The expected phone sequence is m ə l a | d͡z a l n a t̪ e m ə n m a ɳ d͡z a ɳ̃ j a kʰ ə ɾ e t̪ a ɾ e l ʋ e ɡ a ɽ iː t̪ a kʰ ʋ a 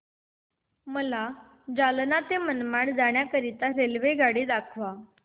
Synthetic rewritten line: m ə l a | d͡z a l n a t̪ e m ə n m a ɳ d͡z a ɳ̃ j a k ə ɾ i t̪ a ɾ e l ʋ e ɡ a ɽ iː d̪ a kʰ ʋ a